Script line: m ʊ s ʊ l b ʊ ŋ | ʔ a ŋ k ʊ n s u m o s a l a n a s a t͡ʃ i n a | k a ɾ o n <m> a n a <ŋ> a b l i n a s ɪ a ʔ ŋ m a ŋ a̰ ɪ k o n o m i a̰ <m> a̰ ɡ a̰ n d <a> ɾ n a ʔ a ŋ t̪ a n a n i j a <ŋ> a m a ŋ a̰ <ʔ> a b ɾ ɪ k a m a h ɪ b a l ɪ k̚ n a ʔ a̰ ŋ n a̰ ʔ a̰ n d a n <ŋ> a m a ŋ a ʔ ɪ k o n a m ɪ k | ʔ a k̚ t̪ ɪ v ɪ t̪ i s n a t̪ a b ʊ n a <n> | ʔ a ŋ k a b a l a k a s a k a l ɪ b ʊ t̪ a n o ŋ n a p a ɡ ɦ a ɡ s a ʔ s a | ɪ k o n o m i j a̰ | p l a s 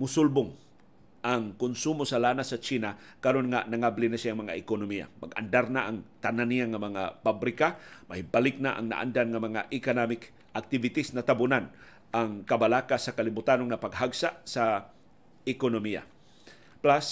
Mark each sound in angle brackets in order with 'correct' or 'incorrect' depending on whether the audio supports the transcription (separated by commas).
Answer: incorrect, correct, correct, correct, correct, incorrect, correct, correct